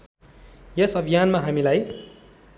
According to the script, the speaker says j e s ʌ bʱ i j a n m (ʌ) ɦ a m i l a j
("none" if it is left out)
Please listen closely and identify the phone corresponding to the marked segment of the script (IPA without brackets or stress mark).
a